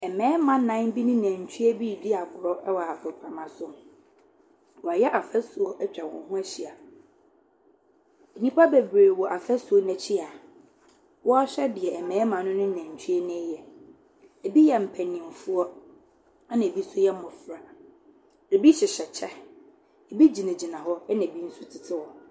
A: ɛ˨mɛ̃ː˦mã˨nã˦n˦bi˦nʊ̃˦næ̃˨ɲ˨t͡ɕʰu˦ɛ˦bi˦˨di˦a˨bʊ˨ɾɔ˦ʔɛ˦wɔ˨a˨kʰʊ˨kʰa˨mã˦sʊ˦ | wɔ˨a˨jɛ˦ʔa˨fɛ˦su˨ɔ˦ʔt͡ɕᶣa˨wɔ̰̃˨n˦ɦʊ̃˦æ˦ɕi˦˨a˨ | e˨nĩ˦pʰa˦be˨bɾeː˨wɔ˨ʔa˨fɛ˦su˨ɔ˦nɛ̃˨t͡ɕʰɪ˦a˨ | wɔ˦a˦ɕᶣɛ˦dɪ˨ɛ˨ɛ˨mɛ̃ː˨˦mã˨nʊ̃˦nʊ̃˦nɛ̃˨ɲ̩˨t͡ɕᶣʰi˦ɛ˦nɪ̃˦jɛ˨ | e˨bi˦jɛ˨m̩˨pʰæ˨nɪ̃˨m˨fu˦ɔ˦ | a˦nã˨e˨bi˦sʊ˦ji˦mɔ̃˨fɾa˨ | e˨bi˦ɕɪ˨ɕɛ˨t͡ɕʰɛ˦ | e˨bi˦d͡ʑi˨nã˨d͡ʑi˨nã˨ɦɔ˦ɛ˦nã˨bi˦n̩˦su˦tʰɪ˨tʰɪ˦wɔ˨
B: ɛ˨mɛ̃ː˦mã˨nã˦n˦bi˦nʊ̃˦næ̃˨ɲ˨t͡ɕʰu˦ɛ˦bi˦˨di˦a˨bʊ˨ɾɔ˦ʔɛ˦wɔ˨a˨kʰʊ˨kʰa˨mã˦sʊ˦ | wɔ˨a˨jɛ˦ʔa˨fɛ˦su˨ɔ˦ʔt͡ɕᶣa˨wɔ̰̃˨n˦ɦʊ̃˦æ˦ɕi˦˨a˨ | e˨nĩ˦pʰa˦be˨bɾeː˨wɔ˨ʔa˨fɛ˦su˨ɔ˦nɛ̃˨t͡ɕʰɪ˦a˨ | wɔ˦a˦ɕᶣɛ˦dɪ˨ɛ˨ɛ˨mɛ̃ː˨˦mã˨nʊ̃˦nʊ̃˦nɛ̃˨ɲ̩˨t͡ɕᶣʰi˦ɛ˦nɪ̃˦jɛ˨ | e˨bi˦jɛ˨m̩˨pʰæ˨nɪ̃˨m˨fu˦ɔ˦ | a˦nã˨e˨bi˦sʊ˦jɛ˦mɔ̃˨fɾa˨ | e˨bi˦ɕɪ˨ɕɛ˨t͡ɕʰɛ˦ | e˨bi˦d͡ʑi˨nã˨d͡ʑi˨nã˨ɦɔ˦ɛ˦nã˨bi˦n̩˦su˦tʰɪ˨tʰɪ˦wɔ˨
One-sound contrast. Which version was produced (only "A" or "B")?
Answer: B